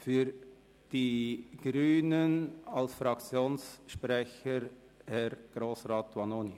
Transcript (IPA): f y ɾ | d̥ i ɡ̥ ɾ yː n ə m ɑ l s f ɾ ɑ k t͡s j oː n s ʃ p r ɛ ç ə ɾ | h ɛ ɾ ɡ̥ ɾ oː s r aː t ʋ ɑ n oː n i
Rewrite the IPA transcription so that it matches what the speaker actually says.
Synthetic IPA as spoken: f y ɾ | d̥ i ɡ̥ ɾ yː n ə n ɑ l s f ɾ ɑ k t͡s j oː n s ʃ p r ɛ ç ə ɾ | h ɛ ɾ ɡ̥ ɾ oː s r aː t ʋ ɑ n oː n i

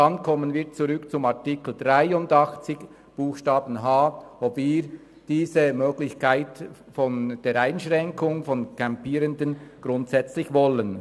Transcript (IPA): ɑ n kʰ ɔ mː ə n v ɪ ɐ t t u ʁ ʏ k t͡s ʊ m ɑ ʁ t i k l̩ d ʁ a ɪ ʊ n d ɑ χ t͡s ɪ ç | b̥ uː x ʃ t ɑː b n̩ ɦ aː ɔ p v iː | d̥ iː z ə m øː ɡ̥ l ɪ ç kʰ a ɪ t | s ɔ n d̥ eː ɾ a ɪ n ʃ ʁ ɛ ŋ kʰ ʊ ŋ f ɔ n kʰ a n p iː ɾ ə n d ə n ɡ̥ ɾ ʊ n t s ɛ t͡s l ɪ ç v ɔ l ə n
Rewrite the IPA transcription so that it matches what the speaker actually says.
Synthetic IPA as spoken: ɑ n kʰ ɔ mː ə n v ɪ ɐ t t͡s u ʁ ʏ k t͡s ʊ m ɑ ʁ t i k l̩ d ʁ a ɪ ʊ n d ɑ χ t͡s ɪ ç | b̥ uː x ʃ t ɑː b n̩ ɦ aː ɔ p v iː | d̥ iː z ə m øː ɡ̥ l ɪ ç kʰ a ɪ t | f ɔ n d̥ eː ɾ a ɪ n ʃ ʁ ɛ ŋ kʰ ʊ ŋ f ɔ n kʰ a m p iː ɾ ə n d ə n ɡ̥ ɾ ʊ n t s ɛ t͡s l ɪ ç v ɔ l ə n

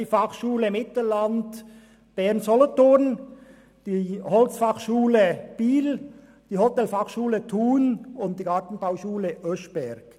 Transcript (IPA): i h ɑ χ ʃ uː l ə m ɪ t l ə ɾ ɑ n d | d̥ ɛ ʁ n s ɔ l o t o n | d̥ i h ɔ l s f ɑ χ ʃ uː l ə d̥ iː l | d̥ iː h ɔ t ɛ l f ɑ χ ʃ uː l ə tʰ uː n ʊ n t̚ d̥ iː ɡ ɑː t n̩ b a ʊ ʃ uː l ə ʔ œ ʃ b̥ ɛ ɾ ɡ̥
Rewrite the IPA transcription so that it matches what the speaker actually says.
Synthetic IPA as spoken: i f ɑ χ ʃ uː l ə m ɪ t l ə l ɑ n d | b̥ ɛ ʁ n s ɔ l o t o n | d̥ i h ɔ l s f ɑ χ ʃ uː l ə b̥ iː l | d̥ iː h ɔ t ɛ l f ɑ χ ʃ uː l ə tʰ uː n ʊ n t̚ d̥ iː ɡ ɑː t n̩ b a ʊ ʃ uː l ə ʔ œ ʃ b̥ ɛ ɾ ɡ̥

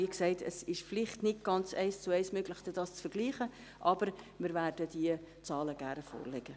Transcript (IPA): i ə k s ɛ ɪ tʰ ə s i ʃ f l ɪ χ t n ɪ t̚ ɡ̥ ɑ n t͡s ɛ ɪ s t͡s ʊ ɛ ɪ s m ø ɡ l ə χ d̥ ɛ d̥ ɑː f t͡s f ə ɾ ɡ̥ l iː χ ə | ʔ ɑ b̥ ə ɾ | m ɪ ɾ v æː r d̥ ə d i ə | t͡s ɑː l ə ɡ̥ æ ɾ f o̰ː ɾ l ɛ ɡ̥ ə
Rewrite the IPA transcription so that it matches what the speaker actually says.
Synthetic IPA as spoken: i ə k s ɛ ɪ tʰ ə s ɪ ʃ f l ɪ χ t n ɪ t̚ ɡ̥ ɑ n t͡s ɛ ɪ s t͡s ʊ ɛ ɪ s m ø ɡ l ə χ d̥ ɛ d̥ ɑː s t͡s f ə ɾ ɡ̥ l iː χ ə | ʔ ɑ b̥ ə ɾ | m ɪ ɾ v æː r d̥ ə d i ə | t͡s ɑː l ə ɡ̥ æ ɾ f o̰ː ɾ l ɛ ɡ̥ ə

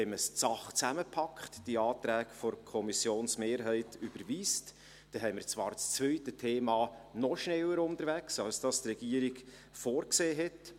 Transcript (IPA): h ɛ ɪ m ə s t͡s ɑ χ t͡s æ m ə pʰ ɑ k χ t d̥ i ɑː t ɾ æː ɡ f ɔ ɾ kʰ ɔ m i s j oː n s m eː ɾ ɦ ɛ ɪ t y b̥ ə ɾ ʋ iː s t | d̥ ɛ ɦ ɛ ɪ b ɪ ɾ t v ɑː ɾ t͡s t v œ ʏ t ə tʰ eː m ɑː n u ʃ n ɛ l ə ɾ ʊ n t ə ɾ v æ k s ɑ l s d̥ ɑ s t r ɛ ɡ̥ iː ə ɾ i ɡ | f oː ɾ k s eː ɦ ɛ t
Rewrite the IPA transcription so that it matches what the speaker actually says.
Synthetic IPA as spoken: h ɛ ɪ m ə s t͡s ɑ χ t͡s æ m ə pʰ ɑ k χ t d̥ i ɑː t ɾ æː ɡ f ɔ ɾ kʰ ɔ m i s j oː n s m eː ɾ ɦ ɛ ɪ t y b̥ ə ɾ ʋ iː s t | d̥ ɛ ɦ ɛ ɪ m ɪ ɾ t͡s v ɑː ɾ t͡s t͡s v œ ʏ t ə tʰ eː m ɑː n ɔ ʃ n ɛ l ə ɾ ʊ n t ə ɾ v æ k s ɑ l s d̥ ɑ s t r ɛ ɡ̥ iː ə ɾ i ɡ | f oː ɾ k s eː ɦ ɛ t

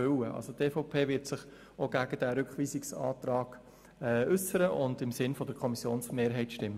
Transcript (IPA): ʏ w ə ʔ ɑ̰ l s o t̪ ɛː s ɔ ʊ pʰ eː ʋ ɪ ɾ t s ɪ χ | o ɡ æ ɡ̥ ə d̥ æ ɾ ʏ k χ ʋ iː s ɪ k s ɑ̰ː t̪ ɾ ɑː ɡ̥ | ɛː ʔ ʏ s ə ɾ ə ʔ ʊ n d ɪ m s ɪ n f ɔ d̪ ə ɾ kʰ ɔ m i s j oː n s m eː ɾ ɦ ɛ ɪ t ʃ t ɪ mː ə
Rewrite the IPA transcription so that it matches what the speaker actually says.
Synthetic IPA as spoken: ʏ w ə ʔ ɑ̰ l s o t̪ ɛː f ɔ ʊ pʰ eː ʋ ɪ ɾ t s ɪ χ | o ɡ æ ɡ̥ ə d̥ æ ɾ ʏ k χ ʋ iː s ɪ k s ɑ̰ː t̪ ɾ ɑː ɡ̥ | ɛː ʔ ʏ s ə ɾ ə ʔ ʊ n d ɪ m s ɪ n f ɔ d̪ ə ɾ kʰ ɔ m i s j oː n s m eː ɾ ɦ ɛ ɪ t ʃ t ɪ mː ə

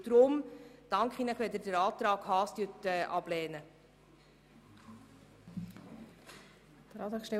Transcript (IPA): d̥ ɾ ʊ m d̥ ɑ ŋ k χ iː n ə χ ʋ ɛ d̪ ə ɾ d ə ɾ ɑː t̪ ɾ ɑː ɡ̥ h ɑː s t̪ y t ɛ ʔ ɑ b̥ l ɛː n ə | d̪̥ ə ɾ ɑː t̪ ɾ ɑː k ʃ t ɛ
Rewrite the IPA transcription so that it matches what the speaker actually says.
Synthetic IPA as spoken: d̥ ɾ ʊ m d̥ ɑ ŋ k χ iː n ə χ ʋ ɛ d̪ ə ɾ d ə ɾ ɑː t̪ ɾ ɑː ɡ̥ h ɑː s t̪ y t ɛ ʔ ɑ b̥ l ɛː n ə | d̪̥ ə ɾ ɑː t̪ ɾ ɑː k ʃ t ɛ

